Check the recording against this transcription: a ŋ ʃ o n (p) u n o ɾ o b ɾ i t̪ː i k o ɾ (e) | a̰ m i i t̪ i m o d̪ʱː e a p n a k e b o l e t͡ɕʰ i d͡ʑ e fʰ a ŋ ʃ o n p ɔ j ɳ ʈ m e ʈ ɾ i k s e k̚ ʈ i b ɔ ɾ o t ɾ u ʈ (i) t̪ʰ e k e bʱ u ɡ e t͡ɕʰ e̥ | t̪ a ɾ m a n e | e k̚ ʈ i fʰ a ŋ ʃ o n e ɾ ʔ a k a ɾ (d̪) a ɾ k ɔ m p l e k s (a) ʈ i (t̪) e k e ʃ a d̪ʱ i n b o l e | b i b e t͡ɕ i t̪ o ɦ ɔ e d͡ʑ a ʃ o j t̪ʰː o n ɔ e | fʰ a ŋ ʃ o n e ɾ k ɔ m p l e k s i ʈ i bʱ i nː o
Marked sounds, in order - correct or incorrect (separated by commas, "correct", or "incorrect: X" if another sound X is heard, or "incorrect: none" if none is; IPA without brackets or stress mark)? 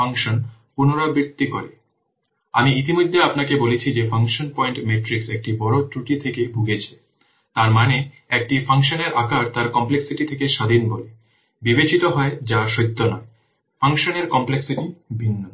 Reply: correct, correct, correct, incorrect: t̪, incorrect: i, incorrect: t̪ʰ